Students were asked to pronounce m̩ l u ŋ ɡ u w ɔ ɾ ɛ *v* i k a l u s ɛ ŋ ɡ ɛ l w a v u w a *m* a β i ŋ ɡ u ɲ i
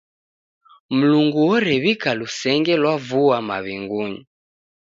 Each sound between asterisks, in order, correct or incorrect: incorrect, correct

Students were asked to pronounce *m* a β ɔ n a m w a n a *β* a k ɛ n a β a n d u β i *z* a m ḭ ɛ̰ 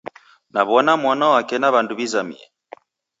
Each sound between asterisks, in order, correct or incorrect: incorrect, incorrect, correct

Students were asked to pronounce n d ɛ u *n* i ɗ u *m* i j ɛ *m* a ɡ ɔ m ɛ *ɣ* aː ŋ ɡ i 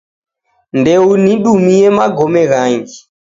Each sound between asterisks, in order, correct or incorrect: correct, correct, correct, correct

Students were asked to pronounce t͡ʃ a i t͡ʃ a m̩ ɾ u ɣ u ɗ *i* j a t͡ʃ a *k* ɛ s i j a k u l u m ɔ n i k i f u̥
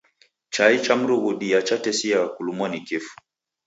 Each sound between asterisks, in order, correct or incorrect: correct, incorrect

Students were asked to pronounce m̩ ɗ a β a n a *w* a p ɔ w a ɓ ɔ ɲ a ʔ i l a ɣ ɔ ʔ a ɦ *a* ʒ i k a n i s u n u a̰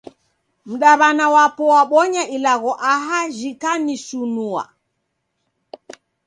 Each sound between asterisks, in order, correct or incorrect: correct, correct

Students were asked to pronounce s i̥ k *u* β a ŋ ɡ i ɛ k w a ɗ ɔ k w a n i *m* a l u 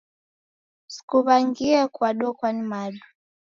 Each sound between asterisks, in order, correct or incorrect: correct, correct

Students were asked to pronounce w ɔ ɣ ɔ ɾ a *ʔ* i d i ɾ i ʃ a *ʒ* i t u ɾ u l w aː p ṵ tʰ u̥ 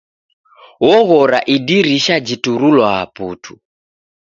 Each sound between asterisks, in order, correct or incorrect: correct, incorrect

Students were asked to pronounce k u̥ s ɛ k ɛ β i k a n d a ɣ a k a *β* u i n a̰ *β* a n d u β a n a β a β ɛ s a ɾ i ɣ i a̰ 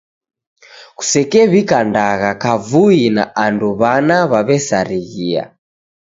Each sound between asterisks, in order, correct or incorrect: incorrect, incorrect

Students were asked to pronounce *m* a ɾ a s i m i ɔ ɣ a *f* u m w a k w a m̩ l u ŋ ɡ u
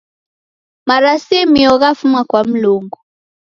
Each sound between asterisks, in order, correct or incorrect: correct, correct

